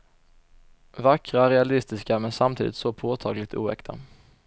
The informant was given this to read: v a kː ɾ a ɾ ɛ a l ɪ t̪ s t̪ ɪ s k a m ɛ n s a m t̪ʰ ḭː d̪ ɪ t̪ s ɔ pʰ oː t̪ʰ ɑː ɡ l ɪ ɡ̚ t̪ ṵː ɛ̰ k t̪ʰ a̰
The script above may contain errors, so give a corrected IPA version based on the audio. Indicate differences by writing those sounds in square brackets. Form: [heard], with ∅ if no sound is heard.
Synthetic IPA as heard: v a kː ɾ a ɾ ɛ a l ɪ [∅] s t̪ ɪ s k a m ɛ n s a m t̪ʰ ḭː d̪ ɪ t̪ s ɔ pʰ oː t̪ʰ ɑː ɡ l ɪ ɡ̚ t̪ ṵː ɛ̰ k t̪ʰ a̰